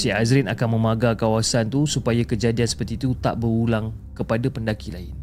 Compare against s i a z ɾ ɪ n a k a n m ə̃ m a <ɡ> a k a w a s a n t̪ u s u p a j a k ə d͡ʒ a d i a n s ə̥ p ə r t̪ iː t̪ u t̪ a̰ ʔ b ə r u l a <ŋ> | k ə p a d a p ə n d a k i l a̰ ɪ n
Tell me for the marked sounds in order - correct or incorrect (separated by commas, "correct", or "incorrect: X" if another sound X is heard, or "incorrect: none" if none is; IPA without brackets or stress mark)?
correct, correct